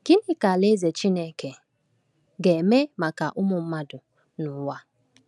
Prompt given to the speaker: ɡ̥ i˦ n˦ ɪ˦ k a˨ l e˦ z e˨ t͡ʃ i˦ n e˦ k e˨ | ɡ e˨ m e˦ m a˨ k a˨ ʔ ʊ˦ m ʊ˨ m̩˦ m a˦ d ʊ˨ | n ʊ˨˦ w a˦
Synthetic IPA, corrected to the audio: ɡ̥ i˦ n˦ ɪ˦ k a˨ l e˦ z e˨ t͡ʃ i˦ n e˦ k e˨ | ɡ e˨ m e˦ m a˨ k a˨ ʔ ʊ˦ m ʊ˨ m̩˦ m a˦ d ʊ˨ | n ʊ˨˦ w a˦